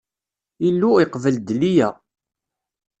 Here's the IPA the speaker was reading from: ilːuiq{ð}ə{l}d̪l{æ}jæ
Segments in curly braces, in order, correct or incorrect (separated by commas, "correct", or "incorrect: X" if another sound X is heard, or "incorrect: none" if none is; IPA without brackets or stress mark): incorrect: v, correct, incorrect: i